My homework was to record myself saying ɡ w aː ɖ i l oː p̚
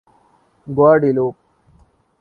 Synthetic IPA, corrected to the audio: ɡ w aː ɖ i l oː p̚